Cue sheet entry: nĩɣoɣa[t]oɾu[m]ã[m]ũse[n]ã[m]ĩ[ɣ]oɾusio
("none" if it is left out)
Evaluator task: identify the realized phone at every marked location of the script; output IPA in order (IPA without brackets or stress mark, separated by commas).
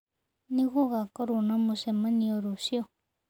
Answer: k, n, m, m, n, none